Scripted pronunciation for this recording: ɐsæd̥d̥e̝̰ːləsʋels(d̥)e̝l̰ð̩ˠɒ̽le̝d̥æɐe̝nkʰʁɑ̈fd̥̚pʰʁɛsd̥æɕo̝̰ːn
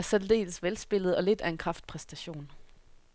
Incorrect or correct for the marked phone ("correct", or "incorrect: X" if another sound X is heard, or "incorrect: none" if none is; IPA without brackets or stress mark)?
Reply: incorrect: b̥